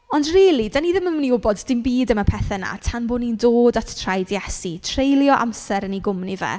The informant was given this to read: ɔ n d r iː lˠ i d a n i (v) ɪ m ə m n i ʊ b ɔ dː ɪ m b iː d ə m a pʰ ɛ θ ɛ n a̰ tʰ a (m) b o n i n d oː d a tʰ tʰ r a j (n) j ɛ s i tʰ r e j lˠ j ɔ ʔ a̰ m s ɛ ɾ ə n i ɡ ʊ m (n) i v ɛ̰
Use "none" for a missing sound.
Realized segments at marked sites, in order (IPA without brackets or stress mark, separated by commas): ð, n, d, n